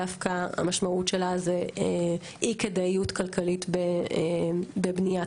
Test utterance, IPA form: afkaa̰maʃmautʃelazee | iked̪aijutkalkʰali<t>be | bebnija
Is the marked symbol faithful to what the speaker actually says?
yes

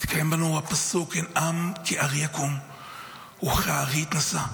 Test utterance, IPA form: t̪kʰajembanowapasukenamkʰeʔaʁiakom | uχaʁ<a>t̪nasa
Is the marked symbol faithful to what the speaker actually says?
no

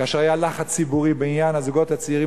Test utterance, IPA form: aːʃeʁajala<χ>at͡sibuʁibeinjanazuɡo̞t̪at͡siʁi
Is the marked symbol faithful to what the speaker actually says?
yes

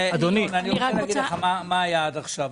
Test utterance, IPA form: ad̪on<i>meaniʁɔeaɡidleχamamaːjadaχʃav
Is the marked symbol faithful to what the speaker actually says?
yes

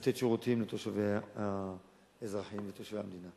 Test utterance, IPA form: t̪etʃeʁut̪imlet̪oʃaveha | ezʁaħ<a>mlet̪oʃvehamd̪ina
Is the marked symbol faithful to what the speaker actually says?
no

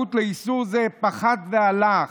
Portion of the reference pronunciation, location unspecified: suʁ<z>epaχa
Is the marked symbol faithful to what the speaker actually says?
yes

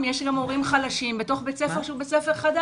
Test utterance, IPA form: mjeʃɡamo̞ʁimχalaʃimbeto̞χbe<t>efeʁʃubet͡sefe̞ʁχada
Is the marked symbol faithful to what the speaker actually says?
no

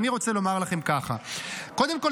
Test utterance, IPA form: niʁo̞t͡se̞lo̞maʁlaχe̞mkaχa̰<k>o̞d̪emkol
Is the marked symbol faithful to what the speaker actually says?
yes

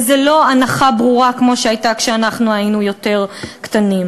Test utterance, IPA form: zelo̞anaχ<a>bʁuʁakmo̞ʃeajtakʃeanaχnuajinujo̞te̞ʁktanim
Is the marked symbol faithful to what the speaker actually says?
yes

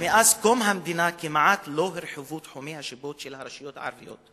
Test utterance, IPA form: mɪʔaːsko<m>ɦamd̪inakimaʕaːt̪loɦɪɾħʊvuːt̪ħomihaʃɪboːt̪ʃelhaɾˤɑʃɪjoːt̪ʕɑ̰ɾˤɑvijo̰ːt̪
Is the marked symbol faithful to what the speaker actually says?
yes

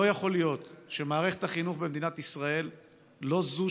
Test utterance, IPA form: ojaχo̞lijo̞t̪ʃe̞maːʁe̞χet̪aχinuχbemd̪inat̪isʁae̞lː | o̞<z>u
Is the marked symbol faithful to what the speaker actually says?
yes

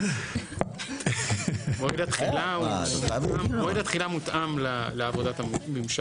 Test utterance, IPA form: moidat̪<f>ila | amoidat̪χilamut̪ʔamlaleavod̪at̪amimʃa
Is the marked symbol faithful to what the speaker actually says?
no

